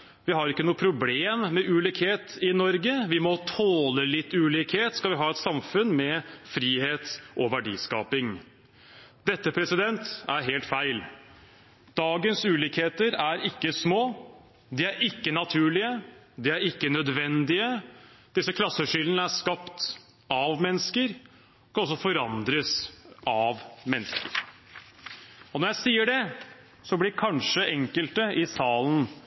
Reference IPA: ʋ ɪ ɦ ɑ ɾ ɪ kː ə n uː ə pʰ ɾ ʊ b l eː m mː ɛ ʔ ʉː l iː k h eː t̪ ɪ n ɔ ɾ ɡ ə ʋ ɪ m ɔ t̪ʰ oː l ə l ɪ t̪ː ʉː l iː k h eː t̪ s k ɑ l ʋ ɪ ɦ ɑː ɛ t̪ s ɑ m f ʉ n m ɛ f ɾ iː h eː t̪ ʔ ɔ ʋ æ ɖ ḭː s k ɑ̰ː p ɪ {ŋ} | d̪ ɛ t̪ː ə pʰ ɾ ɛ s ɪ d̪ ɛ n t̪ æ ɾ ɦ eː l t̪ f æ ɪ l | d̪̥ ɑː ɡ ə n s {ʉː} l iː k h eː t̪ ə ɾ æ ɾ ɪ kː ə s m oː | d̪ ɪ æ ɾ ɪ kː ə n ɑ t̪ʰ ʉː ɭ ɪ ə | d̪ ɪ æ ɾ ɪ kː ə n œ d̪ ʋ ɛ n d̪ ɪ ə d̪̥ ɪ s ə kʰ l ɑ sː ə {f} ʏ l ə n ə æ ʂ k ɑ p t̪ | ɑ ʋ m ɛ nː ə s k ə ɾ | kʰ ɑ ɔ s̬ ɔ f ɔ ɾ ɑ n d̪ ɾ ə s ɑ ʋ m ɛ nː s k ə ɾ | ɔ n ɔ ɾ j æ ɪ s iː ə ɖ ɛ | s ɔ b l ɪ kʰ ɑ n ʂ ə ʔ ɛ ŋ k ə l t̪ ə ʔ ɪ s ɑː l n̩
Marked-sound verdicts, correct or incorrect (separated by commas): correct, correct, incorrect